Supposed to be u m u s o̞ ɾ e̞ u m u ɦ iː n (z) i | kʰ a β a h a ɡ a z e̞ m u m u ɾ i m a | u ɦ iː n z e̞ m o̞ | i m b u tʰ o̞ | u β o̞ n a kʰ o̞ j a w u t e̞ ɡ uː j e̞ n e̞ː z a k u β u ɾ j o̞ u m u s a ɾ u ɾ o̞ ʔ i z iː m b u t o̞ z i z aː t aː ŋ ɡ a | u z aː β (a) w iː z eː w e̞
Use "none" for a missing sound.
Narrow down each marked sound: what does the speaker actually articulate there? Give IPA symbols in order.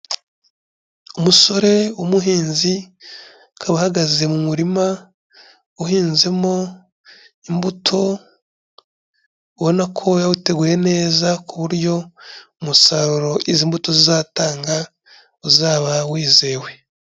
z, a

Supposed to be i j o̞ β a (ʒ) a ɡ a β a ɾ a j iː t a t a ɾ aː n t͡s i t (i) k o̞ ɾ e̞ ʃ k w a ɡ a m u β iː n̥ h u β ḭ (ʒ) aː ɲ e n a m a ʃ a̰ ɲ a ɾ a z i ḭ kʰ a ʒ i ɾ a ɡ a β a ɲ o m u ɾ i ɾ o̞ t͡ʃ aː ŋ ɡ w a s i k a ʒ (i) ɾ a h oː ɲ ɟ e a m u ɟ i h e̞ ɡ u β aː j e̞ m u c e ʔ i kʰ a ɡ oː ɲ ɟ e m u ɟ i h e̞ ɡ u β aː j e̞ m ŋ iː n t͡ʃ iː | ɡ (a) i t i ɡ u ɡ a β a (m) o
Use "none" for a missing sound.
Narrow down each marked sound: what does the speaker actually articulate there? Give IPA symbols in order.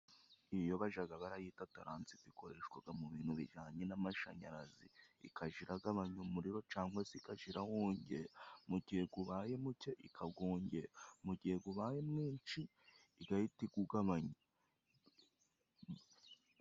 ʒ, i, ʒ, i, a, ɲ

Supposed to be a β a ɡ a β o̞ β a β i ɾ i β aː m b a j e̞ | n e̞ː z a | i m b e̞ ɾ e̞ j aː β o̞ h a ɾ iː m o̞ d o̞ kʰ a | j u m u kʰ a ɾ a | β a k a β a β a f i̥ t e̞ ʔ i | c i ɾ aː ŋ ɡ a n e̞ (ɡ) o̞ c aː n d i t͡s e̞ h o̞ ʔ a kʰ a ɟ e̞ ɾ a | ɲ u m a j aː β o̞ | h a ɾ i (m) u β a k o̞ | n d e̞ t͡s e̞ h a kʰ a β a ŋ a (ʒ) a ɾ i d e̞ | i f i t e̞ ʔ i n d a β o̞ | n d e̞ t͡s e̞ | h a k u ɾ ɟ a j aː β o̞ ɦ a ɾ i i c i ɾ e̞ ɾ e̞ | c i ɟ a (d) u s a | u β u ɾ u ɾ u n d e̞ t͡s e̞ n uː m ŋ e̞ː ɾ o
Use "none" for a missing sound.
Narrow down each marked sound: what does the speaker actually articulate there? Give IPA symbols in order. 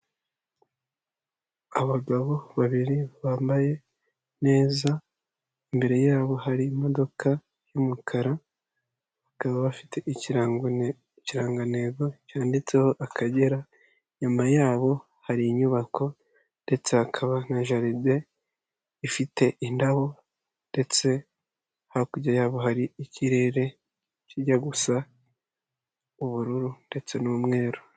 ɡ, ɲ, ʒ, ɡ

